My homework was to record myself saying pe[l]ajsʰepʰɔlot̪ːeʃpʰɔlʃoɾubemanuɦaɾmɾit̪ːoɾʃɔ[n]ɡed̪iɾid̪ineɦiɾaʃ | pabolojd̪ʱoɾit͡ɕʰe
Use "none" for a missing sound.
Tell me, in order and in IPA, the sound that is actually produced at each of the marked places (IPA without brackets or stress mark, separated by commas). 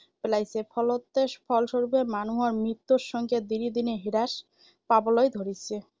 l, ŋ